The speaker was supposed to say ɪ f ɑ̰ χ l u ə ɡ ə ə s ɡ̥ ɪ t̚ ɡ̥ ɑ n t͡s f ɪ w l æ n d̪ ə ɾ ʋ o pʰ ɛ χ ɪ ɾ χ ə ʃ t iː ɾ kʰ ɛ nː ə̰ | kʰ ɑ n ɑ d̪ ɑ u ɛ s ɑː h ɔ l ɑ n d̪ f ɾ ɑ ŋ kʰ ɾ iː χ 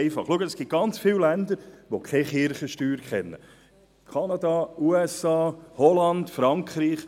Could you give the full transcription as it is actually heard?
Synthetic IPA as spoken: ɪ f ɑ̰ χ l u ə ɡ ə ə s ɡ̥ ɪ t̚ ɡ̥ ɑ n t͡s f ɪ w l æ n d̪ ə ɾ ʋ o kʰ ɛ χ ɪ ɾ χ ə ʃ t yː ɾ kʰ ɛ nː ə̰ | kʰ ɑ n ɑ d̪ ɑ u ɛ s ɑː h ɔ l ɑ n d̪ f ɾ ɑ ŋ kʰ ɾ iː χ